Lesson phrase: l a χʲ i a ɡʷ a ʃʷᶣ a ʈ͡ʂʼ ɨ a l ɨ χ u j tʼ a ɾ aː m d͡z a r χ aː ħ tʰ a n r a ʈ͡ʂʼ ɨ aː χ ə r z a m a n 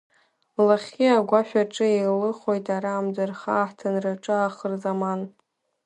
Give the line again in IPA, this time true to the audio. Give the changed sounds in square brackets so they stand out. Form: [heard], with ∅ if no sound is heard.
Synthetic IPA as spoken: l a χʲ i a ɡʷ a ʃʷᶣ a ʈ͡ʂʼ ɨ [e] l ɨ χ [o] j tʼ a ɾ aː m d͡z a r χ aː ħ tʰ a n r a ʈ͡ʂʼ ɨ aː χ ə r z a m a n